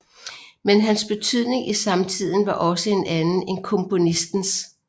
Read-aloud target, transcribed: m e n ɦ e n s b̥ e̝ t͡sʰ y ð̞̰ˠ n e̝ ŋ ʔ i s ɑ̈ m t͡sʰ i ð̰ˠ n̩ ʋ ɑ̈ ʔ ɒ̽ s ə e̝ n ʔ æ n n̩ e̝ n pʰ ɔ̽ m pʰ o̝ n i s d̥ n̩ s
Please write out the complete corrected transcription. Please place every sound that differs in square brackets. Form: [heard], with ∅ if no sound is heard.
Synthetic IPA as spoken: m e n ɦ [æ] n s b̥ e̝ t͡sʰ y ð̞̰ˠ n e̝ ŋ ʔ i s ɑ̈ m t͡sʰ i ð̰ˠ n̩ ʋ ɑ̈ ʔ ɒ̽ s ə e̝ n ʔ æ n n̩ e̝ n [kʰ] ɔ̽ m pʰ o̝ n i s d̥ n̩ s

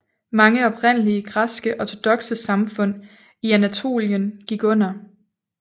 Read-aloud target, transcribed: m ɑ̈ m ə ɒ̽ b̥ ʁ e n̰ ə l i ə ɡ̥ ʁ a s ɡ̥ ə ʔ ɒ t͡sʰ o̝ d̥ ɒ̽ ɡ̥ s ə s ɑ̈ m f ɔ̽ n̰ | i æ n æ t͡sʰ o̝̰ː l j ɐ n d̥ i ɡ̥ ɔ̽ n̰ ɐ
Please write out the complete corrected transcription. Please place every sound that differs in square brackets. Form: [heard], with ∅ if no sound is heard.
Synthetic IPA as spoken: m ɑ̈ [ŋ] ə ɒ̽ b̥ ʁ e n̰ ə l i ə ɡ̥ ʁ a s ɡ̥ ə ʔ ɒ t͡sʰ o̝ d̥ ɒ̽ ɡ̥ s ə s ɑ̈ m f ɔ̽ n̰ | i æ n æ t͡sʰ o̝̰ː l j [ə] n [ɡ̥] i ɡ̥ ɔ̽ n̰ ɐ

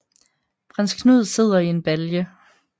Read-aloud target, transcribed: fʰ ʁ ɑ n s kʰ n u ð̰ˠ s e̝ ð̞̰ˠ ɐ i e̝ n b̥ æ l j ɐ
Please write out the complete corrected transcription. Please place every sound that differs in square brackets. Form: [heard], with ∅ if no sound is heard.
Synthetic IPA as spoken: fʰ ʁ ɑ n s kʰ n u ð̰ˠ s e̝ ð̞̰ˠ ɐ i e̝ n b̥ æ l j [ə]

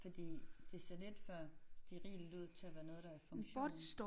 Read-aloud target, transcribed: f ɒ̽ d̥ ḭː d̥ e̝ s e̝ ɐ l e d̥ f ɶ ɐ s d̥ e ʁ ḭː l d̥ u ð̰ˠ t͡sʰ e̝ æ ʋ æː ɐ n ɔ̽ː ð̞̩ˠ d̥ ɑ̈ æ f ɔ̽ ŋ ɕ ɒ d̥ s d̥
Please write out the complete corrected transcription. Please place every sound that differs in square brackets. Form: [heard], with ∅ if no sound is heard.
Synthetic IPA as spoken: f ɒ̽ d̥ ḭː d̥ e̝ s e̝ ɐ l e d̥ f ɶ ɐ s d̥ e ʁ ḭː l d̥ u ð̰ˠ t͡sʰ e̝ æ ʋ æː ɐ n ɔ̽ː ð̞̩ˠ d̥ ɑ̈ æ f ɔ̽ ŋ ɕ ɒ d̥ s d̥

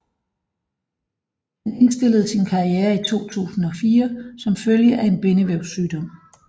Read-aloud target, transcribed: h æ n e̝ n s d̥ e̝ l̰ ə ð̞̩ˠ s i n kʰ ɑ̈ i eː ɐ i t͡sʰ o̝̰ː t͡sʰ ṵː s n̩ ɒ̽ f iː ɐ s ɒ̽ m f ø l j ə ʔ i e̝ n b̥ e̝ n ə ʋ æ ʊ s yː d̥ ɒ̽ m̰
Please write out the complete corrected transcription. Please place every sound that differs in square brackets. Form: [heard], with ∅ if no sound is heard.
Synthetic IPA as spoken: h æ n e̝ n s d̥ e̝ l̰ ə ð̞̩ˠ s i n kʰ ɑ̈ i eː ɐ i t͡sʰ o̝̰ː t͡sʰ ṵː s n̩ ɒ̽ f iː ɐ s ɒ̽ m f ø l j ə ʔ [æ] e̝ n b̥ e̝ n ə ʋ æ ʊ s yː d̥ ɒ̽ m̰

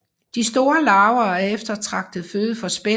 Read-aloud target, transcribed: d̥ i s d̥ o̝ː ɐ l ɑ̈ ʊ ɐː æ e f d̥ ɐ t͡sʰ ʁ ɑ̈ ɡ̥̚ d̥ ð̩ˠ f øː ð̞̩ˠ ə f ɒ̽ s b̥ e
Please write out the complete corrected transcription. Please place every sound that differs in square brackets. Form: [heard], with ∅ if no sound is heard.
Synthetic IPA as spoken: d̥ i s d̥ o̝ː ɐ l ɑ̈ ʊ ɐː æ e f d̥ ɐ t͡sʰ ʁ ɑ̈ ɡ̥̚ d̥ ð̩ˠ f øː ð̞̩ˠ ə f ɒ̽ s b̥ e

